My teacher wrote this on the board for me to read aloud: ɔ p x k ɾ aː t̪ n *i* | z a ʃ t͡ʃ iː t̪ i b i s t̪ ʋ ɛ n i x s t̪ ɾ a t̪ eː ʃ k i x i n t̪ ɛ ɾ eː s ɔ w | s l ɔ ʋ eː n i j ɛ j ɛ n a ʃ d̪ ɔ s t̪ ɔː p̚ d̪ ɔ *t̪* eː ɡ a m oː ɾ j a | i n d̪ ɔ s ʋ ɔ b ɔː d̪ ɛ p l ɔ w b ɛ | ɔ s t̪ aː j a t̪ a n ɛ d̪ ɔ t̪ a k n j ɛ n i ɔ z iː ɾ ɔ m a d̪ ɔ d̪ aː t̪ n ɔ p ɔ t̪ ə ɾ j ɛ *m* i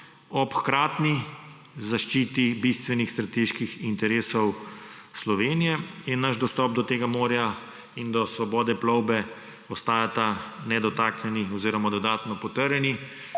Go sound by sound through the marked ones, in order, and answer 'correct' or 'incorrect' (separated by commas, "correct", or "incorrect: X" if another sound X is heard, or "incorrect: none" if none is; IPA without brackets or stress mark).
correct, correct, incorrect: n